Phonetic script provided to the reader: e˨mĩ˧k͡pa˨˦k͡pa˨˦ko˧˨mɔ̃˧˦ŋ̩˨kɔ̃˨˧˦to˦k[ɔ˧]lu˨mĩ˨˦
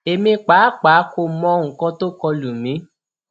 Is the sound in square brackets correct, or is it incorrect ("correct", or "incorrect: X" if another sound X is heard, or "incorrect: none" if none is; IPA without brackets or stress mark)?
correct